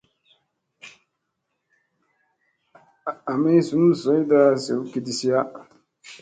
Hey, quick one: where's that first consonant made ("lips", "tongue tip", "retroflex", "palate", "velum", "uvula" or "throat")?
lips